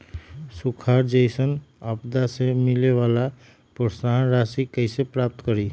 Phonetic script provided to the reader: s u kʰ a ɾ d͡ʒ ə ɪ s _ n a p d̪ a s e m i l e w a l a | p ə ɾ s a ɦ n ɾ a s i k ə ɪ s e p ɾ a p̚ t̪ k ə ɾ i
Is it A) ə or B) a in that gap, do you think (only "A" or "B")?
A